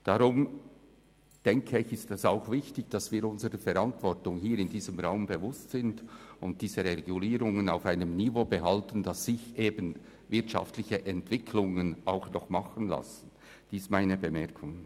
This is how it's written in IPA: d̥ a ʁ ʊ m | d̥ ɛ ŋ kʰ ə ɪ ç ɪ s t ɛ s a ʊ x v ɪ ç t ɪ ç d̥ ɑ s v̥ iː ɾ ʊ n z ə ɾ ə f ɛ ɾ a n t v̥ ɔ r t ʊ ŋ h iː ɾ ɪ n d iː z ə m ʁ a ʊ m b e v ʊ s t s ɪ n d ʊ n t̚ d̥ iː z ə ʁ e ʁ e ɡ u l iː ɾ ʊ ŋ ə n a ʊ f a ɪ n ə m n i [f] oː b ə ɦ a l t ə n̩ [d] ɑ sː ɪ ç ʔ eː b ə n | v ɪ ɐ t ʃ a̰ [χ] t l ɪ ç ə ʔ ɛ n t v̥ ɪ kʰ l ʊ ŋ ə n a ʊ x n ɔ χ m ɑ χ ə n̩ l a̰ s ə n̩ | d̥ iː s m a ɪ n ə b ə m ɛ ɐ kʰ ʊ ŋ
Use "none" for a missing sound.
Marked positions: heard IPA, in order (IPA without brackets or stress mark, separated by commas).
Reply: v, d, f